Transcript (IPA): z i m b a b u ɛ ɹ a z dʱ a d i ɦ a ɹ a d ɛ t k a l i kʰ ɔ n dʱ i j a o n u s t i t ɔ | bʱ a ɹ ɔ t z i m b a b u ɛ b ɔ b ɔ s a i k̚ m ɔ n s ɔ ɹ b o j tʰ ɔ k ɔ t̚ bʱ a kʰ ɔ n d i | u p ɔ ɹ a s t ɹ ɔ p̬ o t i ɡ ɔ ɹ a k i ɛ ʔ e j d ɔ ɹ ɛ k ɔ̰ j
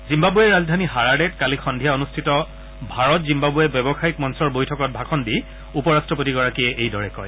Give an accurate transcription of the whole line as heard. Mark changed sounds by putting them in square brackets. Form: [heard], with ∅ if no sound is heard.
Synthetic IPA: z i m b a b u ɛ ɹ a z dʱ a [n] i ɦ a ɹ a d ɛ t k a l i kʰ ɔ n dʱ i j a o n u s [tʰ] i t ɔ | bʱ a ɹ ɔ t z i m b a b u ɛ b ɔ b ɔ [x] a i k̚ m ɔ n s ɔ ɹ b o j tʰ ɔ k ɔ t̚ bʱ a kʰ ɔ n d i | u p ɔ ɹ a s t ɹ ɔ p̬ o t i ɡ ɔ ɹ a k i ɛ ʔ e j d ɔ ɹ ɛ k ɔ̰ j